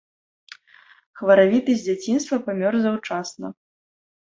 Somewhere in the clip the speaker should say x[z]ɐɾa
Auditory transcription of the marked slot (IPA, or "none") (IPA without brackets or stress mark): v